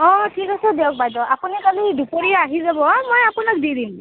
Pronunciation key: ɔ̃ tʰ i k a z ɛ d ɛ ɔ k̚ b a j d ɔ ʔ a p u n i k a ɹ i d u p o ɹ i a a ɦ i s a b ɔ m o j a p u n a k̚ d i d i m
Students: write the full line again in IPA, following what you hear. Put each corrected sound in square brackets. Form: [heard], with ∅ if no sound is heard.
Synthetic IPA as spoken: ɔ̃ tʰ i k a [s] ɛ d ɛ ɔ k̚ b a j d ɔ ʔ a p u n i k a [l] i d u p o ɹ i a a ɦ i [z] a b ɔ m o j a p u n a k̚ d i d i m